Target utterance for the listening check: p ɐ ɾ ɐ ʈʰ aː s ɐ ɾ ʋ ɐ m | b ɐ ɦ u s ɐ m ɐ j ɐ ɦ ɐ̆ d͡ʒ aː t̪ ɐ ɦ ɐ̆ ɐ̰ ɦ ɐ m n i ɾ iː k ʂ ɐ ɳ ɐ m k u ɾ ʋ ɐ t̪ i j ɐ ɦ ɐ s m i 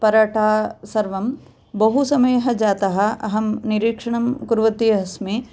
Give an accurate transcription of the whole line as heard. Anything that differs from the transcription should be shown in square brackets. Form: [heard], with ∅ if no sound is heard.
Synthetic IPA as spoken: p ɐ ɾ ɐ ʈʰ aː s ɐ ɾ ʋ ɐ m | b ɐ ɦ u s ɐ m ɐ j ɐ ɦ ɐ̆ d͡ʒ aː t̪ ɐ ɦ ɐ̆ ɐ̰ ɦ ɐ m n i ɾ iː k ʂ ɐ ɳ ɐ m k u ɾ ʋ ɐ t̪ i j ɐ ɦ ɐ s m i

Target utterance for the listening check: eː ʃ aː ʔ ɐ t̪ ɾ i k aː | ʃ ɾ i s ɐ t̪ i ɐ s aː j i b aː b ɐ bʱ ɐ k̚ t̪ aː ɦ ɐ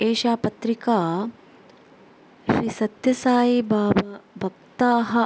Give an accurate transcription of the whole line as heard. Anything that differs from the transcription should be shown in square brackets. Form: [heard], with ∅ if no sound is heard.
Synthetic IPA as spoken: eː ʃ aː [p] ɐ t̪ ɾ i k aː | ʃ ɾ i s ɐ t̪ [j] ɐ s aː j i b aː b ɐ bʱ ɐ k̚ t̪ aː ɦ ɐ

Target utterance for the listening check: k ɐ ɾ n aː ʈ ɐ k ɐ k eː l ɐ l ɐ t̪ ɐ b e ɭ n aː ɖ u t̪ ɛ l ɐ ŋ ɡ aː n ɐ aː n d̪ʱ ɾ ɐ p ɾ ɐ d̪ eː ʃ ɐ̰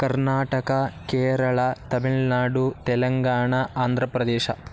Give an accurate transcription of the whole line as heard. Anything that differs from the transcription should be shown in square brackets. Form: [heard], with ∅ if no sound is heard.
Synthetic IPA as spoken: k ɐ ɾ n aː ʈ ɐ k ɐ k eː [ɾ] ɐ [ɭ] ɐ t̪ ɐ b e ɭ n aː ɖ u t̪ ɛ l ɐ ŋ ɡ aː [ɳ] ɐ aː n d̪ʱ ɾ ɐ p ɾ ɐ d̪ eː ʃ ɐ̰

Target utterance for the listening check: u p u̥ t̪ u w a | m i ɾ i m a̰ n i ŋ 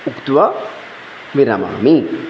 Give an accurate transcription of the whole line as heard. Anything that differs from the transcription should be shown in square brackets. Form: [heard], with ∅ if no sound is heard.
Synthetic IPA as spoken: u [k] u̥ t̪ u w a | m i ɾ [a] m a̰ [m] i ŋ

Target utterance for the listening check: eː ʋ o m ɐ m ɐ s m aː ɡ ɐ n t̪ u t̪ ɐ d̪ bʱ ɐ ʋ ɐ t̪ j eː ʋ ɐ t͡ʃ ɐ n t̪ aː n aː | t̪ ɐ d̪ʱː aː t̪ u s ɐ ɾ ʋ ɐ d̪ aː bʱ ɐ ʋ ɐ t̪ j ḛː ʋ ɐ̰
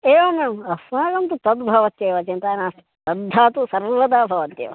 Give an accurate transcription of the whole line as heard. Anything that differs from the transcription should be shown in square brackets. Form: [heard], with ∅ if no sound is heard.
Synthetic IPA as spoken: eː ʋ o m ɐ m ɐ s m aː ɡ ɐ n t̪ u t̪ ɐ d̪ bʱ ɐ ʋ ɐ t̪ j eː ʋ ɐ t͡ʃ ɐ n t̪ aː n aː | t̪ ɐ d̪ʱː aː t̪ u s ɐ ɾ ʋ ɐ d̪ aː bʱ ɐ ʋ ɐ t̪ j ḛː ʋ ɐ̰

